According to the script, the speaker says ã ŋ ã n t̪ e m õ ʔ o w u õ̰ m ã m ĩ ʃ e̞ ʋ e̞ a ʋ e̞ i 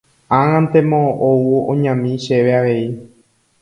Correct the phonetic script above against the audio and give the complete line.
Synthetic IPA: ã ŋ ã n t̪ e m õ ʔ o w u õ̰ ɲ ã m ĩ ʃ e̞ ʋ e̞ a ʋ e̞ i